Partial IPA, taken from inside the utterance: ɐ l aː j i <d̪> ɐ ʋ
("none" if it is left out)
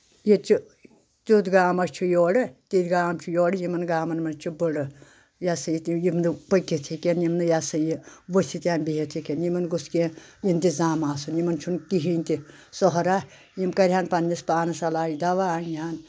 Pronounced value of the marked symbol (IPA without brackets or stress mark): d̪